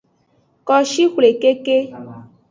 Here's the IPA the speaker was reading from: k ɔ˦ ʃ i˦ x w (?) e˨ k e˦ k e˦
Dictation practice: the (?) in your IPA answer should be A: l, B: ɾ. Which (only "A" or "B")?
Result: A